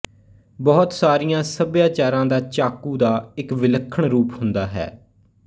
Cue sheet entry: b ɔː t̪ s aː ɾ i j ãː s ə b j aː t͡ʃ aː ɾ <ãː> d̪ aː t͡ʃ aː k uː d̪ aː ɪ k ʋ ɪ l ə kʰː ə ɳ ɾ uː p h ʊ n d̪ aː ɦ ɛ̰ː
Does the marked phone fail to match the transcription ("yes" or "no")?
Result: no